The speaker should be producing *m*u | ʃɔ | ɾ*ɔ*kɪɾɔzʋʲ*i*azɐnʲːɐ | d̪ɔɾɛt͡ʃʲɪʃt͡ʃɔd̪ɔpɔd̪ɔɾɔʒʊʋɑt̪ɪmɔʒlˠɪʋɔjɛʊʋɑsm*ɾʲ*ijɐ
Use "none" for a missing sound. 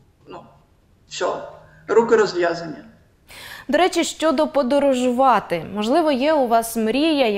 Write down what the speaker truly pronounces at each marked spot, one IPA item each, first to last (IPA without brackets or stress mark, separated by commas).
n, u, j, ɾʲ